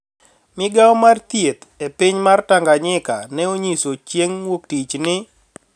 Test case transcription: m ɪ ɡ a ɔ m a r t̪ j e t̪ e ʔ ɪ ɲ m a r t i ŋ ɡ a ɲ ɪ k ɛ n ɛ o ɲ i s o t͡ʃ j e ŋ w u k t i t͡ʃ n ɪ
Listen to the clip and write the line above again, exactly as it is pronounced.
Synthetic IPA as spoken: m ɪ ɡ a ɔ m a r t̪ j e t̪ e p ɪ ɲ m a r t a ŋ ɡ a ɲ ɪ k a n ɛ o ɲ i s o t͡ʃ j e ŋ w o k t i t͡ʃ n ɪ